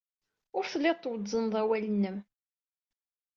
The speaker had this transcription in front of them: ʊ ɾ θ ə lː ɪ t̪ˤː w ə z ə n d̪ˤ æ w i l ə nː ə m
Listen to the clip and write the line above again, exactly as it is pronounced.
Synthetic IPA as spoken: ʊ ɾ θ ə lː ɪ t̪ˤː w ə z ə n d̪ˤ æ w æ l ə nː ə m